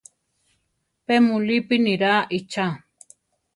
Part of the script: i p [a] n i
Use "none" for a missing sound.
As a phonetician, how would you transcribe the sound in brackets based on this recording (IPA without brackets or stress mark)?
i